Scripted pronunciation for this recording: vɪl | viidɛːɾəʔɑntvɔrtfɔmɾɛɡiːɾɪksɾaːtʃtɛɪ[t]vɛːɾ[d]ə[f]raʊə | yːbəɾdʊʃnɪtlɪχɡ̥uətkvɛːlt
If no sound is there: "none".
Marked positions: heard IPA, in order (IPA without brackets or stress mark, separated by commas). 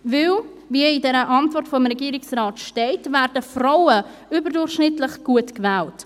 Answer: t, d, f